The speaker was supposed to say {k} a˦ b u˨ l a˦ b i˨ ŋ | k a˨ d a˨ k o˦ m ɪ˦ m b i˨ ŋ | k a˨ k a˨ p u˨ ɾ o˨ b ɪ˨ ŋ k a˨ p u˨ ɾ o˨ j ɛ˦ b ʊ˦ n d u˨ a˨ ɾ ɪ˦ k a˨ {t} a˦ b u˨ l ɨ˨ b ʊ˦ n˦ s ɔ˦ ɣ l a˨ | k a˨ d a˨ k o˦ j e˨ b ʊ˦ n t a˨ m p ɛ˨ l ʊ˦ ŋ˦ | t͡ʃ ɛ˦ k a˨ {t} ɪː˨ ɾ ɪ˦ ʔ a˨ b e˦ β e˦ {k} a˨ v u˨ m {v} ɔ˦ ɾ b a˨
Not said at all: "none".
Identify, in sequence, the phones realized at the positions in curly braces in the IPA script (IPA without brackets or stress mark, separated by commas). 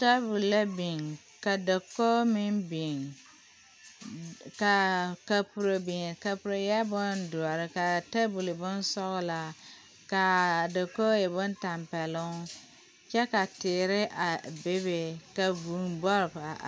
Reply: t, t, t, k, b